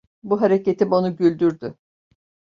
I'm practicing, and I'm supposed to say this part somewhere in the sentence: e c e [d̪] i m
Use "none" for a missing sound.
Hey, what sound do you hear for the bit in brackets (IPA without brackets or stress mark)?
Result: t̪